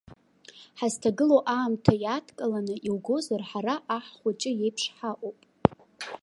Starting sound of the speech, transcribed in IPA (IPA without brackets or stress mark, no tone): ħ